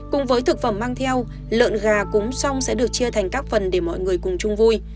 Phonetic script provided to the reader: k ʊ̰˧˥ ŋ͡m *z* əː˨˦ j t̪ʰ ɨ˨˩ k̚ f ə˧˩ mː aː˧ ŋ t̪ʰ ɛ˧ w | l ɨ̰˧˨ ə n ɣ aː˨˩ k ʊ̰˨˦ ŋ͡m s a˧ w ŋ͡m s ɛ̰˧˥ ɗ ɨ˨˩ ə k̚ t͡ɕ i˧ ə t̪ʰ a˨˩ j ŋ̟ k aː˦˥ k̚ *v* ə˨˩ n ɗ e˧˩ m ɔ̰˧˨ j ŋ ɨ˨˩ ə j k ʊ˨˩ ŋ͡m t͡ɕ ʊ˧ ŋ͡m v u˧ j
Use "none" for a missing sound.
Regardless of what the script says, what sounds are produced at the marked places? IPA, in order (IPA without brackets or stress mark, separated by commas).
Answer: v, f